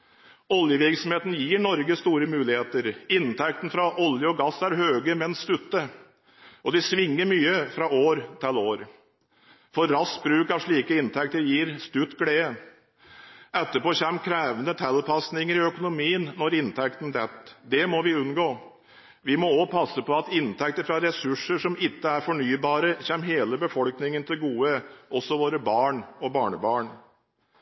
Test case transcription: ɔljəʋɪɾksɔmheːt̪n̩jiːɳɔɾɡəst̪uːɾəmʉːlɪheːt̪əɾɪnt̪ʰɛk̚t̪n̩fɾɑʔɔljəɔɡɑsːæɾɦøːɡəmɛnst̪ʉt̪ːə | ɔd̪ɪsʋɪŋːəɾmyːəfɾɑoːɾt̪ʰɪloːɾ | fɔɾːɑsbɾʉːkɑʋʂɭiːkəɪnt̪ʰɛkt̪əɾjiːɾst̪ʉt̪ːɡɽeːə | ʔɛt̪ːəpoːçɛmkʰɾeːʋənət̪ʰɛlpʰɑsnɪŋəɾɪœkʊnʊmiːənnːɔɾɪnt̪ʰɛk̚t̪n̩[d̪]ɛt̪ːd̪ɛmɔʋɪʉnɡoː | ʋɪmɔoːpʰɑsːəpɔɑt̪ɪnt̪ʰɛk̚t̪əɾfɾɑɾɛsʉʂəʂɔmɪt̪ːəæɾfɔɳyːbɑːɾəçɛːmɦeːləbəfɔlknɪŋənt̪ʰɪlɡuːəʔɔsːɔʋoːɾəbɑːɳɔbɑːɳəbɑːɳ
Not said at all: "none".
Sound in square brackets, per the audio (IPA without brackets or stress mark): d̪